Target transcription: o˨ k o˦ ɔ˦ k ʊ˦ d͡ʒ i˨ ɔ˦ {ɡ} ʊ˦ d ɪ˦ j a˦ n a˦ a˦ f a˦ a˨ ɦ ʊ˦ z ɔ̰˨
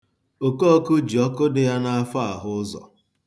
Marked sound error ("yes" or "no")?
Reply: yes